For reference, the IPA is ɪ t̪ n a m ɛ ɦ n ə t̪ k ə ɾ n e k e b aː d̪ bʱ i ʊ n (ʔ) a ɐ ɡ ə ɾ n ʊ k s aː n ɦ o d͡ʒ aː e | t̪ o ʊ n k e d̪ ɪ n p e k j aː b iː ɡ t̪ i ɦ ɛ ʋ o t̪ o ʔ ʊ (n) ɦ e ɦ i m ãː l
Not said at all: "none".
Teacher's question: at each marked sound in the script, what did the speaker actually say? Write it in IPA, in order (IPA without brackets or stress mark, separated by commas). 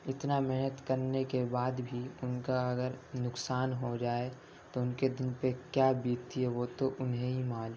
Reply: k, n